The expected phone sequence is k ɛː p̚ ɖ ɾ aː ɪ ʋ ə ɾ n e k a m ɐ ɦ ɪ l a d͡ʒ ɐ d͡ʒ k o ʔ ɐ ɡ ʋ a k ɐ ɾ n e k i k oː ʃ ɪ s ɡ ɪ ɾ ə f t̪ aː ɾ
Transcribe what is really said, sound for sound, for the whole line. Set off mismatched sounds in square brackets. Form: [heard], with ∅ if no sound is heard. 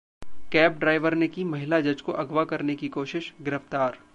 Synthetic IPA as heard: k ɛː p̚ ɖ ɾ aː ɪ ʋ ə ɾ n e k [i] m ɐ ɦ ɪ l a d͡ʒ ɐ d͡ʒ k o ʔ ɐ ɡ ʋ a k ɐ ɾ n e k i k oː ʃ ɪ [ʃ] ɡ ɪ ɾ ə f t̪ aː ɾ